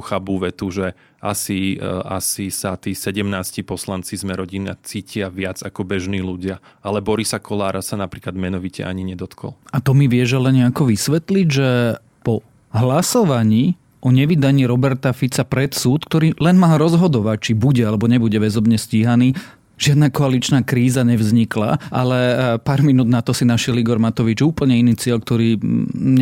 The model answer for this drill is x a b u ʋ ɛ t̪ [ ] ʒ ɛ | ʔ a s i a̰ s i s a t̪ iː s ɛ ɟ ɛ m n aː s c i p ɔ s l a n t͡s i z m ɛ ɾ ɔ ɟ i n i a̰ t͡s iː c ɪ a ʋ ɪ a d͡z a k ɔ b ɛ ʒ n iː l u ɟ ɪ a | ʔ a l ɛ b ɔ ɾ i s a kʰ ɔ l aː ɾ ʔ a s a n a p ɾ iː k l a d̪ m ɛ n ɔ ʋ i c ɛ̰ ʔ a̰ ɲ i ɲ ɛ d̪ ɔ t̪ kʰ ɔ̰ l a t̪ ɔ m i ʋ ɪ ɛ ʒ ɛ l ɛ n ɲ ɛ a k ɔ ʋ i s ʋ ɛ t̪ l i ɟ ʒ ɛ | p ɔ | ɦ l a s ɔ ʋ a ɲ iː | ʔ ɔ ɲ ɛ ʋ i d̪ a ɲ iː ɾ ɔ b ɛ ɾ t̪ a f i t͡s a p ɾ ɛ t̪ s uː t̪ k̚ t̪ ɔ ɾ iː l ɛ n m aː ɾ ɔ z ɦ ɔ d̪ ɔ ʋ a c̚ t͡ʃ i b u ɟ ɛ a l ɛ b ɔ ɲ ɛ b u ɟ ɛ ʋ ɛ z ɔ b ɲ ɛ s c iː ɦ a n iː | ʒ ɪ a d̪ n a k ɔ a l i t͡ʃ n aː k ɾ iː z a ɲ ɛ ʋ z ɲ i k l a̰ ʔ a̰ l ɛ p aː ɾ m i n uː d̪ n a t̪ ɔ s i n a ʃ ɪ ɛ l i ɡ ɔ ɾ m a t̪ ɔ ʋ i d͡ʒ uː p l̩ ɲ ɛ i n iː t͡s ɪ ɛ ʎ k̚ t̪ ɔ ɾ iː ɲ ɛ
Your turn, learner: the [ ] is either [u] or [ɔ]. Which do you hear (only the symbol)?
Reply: u